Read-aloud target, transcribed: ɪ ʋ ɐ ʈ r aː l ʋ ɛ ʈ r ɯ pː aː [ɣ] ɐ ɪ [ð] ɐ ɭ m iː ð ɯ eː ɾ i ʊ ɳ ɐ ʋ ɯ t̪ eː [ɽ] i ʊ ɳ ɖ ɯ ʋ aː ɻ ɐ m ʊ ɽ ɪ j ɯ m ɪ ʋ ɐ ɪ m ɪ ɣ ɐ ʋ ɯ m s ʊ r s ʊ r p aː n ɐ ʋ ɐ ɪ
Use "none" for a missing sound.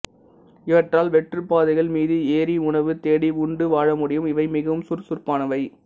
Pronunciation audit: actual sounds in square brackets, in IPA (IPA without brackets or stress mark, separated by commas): ð, ɣ, ɽ